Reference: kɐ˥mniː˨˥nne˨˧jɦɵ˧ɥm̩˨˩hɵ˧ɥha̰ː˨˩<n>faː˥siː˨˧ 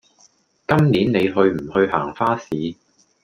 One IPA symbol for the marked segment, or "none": ŋ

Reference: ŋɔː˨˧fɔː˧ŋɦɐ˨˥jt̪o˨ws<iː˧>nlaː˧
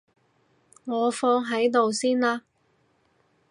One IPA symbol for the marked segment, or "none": iː˥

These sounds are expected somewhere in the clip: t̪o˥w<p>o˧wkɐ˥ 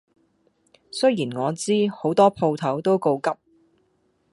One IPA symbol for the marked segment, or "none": k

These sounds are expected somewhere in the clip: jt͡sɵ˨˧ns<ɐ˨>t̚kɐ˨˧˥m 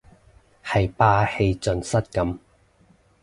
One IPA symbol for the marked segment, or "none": ɐ˥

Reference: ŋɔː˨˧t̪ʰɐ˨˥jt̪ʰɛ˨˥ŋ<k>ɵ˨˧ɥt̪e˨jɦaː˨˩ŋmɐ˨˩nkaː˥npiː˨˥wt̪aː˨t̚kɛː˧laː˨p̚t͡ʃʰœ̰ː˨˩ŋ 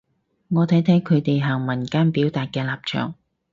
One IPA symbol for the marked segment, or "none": kʰ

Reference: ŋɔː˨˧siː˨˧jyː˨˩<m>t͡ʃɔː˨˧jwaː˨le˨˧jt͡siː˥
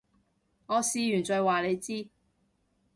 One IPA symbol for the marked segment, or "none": n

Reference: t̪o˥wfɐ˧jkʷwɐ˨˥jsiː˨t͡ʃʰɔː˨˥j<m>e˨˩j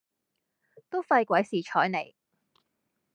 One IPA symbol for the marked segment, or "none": n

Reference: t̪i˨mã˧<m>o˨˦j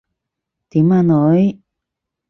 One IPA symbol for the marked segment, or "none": n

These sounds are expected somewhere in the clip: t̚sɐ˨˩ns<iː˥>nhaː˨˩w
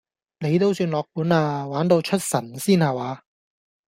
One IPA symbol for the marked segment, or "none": iː˥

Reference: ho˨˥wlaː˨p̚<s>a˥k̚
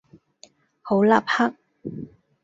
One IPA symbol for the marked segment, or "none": h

